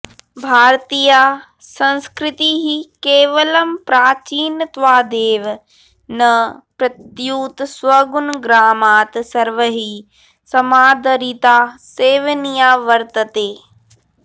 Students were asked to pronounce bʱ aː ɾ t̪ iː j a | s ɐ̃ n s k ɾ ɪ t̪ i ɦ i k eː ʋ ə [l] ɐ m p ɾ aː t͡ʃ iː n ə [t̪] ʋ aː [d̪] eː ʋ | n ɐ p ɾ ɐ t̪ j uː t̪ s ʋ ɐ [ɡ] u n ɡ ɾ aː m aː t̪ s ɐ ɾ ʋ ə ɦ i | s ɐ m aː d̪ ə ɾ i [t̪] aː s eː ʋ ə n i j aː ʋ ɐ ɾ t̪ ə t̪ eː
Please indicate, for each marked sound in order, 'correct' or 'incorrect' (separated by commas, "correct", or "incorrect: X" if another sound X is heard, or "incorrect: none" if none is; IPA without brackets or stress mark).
correct, correct, correct, correct, correct